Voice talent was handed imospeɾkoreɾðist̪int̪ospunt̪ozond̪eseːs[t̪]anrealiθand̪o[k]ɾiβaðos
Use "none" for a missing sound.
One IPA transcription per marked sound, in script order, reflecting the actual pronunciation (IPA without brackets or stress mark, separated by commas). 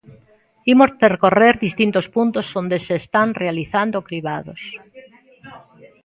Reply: t̪, k